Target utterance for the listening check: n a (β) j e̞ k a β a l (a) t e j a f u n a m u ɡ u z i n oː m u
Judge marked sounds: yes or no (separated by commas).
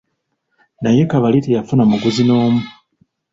no, no